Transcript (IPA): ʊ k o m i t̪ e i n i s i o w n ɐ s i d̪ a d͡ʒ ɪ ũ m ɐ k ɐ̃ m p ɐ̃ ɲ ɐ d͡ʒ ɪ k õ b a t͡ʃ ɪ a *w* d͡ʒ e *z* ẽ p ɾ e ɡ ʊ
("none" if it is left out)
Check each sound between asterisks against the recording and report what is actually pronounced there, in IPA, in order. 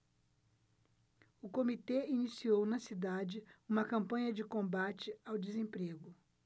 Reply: w, z

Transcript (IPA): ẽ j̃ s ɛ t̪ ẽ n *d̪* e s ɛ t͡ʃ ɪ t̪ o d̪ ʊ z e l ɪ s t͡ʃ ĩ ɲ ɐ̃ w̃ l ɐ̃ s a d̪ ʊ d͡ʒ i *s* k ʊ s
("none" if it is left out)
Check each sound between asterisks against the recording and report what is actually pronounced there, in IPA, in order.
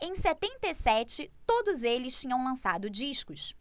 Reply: t̪, ʃ

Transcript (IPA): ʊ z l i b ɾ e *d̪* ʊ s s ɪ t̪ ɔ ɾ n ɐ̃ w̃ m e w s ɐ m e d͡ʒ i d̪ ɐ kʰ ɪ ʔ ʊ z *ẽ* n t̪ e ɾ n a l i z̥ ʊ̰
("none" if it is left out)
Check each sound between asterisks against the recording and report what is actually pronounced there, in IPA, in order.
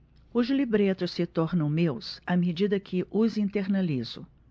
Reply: t̪, ĩ

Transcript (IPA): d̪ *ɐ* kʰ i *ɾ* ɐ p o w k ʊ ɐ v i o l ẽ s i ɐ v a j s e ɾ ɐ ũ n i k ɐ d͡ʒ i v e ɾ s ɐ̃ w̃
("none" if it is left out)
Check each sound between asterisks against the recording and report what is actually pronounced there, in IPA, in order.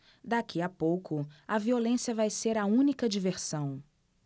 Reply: a, none

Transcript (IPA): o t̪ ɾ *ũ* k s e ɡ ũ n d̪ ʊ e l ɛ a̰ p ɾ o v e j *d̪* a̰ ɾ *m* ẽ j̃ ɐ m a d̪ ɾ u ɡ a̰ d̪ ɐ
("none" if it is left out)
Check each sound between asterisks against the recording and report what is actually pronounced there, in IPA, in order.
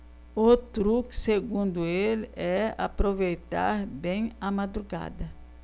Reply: u, t̪, b

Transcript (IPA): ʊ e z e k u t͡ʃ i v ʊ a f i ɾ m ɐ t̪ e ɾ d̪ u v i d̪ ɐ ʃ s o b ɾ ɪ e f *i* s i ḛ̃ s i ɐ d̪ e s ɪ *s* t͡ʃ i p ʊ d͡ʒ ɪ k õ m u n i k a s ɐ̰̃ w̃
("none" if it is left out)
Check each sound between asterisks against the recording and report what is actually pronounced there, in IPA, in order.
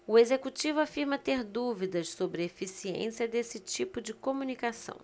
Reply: i, none

